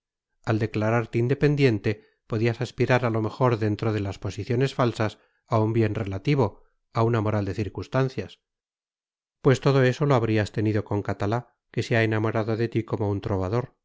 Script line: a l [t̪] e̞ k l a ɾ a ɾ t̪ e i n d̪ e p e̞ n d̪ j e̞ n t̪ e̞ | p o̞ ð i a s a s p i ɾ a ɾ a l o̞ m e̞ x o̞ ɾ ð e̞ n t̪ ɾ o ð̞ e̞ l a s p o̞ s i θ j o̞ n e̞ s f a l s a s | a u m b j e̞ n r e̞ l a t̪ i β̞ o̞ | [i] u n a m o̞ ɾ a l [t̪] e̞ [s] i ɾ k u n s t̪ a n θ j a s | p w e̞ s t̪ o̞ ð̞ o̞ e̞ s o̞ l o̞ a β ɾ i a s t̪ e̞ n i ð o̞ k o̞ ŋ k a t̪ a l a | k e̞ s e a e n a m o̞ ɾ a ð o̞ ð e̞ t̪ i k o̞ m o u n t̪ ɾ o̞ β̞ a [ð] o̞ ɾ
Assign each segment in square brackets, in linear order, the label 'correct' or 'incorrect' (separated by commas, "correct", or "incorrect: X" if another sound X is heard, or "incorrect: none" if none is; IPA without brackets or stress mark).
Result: incorrect: d̪, incorrect: a, incorrect: d̪, incorrect: θ, correct